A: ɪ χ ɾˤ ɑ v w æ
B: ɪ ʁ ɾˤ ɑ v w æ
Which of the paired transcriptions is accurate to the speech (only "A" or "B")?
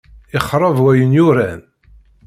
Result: A